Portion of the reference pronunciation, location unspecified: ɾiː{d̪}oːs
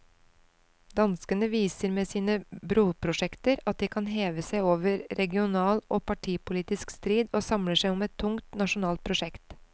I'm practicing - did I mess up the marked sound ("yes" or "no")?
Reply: no